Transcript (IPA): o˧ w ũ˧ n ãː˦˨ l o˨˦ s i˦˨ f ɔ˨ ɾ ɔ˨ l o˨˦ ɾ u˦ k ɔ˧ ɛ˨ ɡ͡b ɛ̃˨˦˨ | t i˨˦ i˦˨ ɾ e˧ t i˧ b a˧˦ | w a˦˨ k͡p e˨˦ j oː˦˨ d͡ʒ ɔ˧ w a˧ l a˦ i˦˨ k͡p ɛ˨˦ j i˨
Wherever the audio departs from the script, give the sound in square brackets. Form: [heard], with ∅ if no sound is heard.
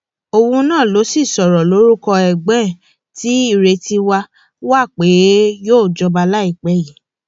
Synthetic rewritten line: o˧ w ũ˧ n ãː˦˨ l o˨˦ s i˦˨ [s] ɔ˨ ɾ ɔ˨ l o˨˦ ɾ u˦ k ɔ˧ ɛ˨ ɡ͡b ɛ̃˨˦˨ | t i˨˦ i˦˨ ɾ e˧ t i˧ [w] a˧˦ | w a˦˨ k͡p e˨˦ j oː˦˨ d͡ʒ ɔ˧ [b] a˧ l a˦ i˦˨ k͡p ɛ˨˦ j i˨